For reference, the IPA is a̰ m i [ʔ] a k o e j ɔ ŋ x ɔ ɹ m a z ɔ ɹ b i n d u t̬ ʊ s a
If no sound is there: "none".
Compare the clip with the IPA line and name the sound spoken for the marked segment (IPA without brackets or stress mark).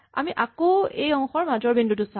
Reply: ʔ